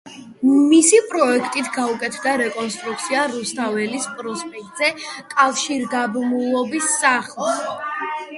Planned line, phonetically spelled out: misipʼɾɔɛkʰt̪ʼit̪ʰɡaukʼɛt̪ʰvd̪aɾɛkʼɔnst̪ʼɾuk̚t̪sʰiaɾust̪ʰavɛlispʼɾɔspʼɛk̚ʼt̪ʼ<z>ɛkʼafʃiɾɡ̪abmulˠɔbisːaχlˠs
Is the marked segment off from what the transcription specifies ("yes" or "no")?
no